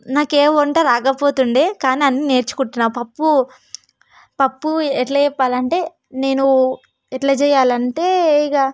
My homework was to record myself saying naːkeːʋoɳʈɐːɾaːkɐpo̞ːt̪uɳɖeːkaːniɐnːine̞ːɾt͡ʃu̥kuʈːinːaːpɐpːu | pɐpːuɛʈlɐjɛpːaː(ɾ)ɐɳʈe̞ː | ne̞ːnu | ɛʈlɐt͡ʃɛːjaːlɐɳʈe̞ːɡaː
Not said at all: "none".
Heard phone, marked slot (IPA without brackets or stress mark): l